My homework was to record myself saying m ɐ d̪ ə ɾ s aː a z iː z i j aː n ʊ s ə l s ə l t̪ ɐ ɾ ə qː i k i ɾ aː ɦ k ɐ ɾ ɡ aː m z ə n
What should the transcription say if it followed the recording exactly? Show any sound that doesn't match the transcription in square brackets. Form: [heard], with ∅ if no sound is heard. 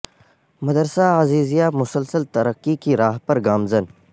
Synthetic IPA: m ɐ d̪ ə ɾ s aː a z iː z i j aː [m] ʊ s ə l s ə l t̪ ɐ ɾ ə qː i k i ɾ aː ɦ [p] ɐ ɾ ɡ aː m z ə n